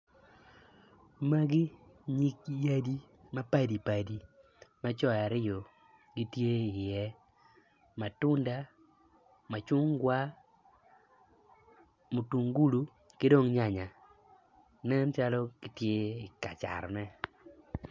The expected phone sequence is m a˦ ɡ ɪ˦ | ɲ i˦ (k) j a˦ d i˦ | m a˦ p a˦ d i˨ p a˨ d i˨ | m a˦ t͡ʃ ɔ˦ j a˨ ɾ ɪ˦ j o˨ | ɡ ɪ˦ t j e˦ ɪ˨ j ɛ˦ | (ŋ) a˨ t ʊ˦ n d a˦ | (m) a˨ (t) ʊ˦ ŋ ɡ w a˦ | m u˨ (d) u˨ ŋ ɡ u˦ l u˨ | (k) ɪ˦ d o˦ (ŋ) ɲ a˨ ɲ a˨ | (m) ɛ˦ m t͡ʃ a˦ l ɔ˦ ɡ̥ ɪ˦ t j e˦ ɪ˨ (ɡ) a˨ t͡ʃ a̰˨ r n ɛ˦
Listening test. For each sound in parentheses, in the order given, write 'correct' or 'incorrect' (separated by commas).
correct, incorrect, correct, incorrect, incorrect, correct, correct, incorrect, incorrect